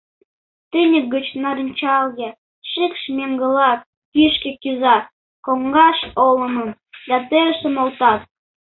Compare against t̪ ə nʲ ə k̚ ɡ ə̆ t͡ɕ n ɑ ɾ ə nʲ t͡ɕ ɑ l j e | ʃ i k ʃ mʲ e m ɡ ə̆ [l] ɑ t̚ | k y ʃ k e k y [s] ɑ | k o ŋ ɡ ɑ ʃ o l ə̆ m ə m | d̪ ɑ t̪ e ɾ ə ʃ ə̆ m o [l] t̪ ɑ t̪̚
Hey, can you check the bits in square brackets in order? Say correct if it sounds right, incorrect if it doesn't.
correct, incorrect: z, correct

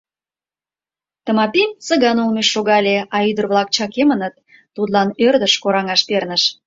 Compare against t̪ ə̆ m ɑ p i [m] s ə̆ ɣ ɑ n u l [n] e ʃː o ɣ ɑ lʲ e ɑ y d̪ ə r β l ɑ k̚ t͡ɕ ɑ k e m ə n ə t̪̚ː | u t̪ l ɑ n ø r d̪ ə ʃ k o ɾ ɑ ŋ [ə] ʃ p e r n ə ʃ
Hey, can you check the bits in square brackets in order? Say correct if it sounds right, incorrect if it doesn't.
correct, incorrect: m, incorrect: ɑ

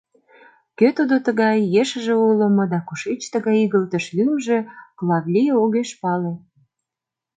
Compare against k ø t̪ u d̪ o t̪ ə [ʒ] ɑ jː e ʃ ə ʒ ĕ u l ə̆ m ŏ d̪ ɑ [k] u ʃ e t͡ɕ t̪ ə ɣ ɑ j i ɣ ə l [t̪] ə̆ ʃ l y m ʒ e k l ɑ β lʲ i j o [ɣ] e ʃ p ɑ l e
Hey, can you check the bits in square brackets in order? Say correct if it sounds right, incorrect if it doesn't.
incorrect: ɣ, correct, correct, correct

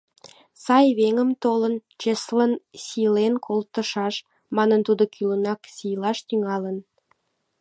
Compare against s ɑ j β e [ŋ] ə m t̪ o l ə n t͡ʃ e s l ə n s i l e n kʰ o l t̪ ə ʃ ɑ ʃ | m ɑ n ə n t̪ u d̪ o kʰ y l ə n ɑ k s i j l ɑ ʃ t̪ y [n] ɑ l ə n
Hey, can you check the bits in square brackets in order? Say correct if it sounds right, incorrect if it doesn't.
correct, incorrect: ŋ

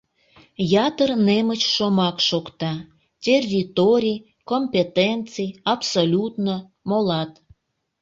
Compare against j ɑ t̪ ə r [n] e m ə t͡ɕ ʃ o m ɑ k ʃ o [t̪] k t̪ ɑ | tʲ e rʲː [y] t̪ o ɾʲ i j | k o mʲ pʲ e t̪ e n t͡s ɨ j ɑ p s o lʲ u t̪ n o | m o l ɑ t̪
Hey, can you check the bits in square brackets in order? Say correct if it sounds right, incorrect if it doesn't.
correct, incorrect: none, incorrect: i

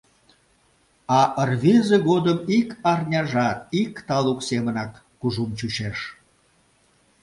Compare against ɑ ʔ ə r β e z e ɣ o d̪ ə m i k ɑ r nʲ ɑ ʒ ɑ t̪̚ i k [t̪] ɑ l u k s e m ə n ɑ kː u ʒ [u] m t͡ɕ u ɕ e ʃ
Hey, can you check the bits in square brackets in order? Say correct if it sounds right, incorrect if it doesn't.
correct, correct

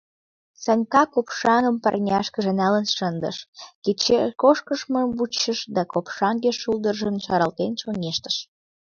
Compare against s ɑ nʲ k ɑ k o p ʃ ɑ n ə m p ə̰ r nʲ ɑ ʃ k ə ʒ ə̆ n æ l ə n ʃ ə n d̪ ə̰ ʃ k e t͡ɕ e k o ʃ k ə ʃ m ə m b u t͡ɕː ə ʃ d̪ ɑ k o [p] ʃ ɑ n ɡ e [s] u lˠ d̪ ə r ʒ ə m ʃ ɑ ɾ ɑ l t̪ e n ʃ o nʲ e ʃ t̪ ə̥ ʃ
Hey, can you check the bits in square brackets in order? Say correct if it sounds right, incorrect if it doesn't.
correct, incorrect: ʃ

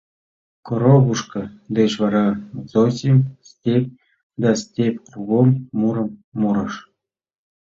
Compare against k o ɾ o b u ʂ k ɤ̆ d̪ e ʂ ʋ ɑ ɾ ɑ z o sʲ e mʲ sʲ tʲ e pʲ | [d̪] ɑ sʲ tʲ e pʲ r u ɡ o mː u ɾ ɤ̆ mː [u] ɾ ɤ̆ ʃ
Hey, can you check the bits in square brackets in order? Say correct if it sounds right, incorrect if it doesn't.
correct, correct

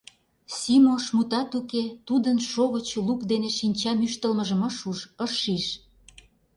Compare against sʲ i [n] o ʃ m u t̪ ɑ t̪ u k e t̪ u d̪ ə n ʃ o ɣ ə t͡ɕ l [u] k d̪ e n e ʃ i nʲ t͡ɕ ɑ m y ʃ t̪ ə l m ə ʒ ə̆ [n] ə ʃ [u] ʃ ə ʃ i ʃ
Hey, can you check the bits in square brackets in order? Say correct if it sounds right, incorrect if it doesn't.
incorrect: m, correct, incorrect: m, correct

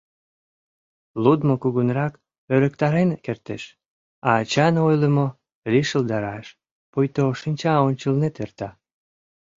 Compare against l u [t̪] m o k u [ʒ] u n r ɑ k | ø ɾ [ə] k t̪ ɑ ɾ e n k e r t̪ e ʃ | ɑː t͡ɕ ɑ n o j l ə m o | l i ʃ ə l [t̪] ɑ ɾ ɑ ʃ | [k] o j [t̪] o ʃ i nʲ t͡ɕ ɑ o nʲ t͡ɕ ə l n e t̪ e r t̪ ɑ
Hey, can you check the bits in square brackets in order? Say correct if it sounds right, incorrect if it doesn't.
incorrect: d̪, incorrect: ɣ, correct, incorrect: d̪, incorrect: p, correct

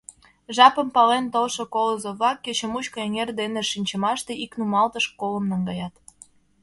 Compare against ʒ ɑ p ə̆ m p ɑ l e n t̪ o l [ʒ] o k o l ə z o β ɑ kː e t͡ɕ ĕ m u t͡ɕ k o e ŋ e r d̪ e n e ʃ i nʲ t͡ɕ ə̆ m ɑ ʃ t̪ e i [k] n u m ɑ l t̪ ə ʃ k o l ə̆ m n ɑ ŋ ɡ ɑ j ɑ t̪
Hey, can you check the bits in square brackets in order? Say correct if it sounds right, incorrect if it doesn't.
incorrect: ʃ, correct

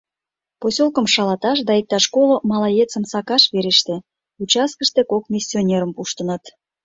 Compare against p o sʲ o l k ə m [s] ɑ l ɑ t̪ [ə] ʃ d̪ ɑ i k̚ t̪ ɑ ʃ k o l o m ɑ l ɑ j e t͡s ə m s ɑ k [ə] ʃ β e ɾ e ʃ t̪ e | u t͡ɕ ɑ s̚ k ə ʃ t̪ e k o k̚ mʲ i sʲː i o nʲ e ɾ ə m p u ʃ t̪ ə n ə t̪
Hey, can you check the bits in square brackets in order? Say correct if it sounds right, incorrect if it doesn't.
incorrect: ʃ, incorrect: ɑ, incorrect: ɑ

